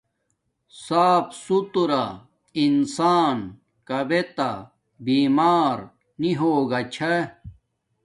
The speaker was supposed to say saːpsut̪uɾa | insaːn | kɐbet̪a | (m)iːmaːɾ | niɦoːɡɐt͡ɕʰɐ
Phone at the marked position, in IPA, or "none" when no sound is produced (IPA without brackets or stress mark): b